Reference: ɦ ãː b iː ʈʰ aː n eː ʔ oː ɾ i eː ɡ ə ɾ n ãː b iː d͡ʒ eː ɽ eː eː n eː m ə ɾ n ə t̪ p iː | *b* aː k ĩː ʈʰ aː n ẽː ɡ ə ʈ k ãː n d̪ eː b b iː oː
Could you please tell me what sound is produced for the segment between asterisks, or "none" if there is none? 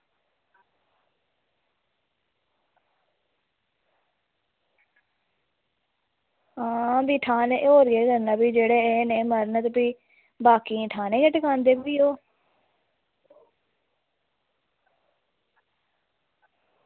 b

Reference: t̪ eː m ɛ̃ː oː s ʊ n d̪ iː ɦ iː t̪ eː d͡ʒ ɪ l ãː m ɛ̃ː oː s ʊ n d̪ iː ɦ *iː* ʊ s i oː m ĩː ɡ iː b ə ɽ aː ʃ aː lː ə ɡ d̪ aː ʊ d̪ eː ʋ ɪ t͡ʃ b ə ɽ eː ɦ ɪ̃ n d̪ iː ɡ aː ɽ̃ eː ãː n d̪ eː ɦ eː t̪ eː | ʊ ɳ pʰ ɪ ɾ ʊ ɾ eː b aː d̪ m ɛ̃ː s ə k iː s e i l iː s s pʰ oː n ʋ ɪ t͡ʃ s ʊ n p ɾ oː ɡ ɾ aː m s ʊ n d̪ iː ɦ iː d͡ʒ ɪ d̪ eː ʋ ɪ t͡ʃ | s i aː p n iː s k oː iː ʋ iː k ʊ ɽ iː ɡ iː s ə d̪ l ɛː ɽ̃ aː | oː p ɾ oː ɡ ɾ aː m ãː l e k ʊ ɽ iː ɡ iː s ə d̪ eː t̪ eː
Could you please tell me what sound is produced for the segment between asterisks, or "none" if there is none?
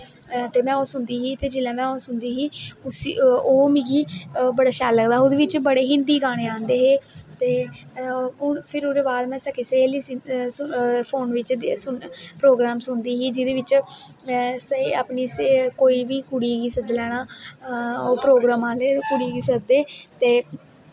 iː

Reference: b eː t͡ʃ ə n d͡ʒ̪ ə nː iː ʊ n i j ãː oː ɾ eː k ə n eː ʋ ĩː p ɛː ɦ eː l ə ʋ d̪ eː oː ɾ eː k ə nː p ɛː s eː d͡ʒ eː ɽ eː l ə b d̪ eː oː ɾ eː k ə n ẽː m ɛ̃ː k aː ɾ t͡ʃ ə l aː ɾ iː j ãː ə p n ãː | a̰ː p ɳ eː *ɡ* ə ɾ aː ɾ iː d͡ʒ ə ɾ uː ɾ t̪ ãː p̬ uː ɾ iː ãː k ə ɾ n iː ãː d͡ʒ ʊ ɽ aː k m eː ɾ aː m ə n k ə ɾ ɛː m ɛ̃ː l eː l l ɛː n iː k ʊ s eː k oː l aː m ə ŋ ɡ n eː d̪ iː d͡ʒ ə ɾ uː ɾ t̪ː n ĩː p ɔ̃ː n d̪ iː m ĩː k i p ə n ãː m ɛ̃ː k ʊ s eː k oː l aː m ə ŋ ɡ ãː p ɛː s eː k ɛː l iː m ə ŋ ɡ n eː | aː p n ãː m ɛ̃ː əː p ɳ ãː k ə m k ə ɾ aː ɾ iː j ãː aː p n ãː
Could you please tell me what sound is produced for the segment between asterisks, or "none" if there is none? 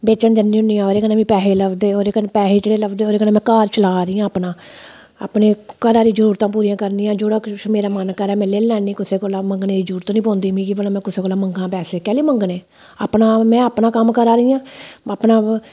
k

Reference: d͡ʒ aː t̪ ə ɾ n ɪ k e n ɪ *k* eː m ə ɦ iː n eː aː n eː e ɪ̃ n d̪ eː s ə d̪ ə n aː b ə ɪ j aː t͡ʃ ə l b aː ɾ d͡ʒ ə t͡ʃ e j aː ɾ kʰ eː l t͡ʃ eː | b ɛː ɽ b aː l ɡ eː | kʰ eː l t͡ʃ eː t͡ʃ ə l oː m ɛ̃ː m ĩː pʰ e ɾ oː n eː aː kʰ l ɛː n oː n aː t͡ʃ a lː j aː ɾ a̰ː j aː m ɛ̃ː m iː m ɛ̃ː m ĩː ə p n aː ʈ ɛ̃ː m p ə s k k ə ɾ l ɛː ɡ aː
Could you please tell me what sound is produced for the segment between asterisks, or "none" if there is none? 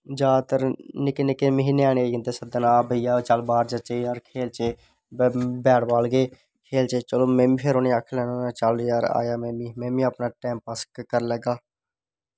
k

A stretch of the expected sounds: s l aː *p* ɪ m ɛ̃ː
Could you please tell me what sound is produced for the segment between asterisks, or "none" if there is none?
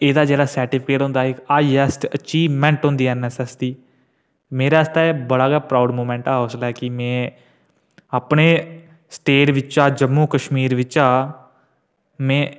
k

